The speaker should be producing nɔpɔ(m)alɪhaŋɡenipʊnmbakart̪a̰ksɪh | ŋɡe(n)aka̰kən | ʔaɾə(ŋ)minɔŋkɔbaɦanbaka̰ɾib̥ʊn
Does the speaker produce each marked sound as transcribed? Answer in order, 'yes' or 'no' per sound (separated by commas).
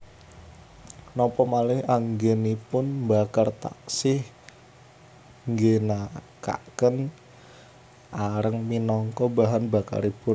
yes, yes, yes